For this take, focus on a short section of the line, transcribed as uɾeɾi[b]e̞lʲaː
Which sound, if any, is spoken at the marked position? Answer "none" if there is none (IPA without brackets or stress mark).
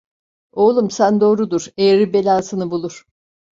b